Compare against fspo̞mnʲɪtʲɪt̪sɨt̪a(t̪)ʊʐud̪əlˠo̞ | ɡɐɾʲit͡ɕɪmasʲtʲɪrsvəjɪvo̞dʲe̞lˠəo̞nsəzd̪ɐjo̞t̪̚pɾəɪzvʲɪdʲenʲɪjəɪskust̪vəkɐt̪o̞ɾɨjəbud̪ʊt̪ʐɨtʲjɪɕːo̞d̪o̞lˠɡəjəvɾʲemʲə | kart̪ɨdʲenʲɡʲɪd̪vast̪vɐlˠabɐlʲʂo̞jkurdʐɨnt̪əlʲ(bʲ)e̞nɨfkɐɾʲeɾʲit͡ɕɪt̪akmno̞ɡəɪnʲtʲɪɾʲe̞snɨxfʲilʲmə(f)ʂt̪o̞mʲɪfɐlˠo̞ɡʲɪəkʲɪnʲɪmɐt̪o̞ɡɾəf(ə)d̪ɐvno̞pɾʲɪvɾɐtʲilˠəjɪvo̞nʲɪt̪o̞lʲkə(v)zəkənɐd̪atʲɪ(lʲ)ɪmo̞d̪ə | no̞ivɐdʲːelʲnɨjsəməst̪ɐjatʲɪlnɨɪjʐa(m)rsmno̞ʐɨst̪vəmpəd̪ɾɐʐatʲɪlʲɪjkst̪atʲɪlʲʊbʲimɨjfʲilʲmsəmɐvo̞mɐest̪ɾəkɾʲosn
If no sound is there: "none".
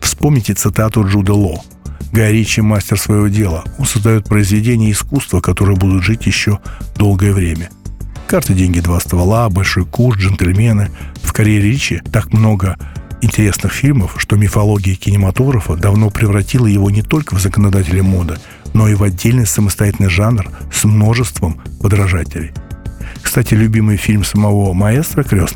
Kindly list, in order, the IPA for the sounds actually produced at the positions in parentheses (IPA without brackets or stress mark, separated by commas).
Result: t̪, mʲ, f, ə, v, lʲ, n